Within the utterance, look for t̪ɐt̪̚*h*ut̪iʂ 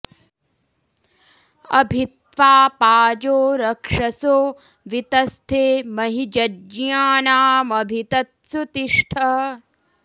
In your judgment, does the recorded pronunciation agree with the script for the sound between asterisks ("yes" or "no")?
no